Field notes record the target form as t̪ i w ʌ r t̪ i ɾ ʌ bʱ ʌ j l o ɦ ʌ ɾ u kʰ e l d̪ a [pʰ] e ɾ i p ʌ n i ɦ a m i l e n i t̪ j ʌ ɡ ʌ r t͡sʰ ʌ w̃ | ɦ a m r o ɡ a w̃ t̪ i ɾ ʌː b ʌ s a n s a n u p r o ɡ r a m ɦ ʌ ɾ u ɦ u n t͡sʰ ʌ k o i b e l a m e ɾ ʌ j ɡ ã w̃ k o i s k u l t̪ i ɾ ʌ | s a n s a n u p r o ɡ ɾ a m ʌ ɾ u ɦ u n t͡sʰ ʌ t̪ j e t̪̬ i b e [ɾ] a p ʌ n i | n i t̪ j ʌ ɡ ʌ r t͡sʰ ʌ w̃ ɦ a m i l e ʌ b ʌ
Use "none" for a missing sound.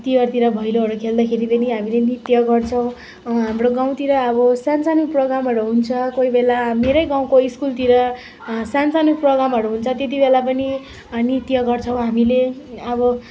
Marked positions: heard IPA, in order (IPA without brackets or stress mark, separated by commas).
kʰ, l